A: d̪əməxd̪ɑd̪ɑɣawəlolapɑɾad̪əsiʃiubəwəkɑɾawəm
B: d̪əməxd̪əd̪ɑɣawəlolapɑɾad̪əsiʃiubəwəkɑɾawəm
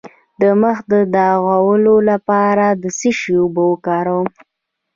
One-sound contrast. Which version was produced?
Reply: B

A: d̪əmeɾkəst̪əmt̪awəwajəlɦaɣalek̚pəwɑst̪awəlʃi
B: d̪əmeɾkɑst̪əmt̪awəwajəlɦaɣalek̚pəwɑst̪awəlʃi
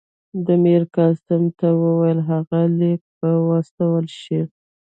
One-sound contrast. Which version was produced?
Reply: B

